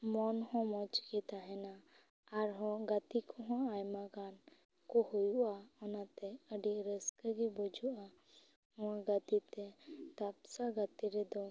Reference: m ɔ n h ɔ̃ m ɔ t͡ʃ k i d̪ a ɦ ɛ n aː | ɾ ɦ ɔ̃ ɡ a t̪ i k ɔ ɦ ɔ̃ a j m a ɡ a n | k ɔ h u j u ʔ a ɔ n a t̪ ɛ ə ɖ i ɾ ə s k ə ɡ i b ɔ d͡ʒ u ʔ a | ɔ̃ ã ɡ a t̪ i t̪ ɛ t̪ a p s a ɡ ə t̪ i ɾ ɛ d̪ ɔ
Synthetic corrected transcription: m ɔ n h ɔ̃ m ɔ t͡ʃ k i t̪ a ɦ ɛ n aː | ɾ ɦ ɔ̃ ɡ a t̪ i k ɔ ɦ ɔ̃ a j m a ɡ a n | k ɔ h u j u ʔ a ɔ n a t̪ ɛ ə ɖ i ɾ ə s k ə ɡ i b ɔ d͡ʒ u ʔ a | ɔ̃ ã ɡ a t̪ i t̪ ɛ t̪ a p s a ɡ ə t̪ i ɾ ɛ d̪ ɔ